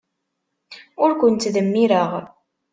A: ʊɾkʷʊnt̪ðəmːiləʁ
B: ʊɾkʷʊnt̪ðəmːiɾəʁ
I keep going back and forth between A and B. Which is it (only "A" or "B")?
B